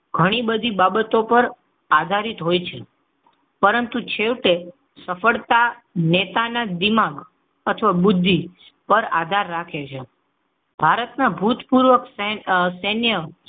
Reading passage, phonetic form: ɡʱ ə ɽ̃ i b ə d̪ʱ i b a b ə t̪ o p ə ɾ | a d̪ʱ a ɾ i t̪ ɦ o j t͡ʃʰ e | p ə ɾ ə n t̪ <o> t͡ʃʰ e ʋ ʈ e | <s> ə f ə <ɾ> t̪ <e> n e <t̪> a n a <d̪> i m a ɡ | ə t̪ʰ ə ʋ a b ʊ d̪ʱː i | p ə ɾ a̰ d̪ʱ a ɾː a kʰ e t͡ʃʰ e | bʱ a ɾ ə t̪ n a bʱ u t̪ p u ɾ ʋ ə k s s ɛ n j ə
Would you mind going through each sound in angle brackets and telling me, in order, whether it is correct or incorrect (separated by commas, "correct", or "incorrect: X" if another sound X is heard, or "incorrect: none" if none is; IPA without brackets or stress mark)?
incorrect: u, correct, incorrect: ɭ, incorrect: a, correct, correct